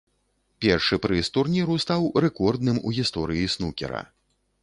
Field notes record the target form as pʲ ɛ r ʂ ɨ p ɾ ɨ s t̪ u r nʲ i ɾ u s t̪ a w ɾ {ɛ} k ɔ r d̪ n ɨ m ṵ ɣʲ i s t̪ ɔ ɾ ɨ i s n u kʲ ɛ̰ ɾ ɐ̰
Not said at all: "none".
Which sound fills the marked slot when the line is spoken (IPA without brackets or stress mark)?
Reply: ɛ